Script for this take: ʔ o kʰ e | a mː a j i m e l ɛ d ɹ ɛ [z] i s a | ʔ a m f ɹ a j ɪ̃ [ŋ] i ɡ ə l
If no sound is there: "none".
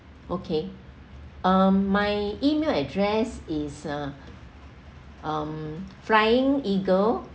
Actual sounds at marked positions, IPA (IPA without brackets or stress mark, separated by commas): s, ŋ